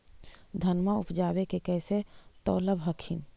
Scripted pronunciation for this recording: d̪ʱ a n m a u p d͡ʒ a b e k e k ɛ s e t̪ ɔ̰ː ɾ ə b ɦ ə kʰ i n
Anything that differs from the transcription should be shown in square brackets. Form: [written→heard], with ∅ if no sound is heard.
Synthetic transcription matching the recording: d̪ʱ [a→ə] n m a u p d͡ʒ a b e k e k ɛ s e t̪ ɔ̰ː [ɾ→l] ə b ɦ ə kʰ i n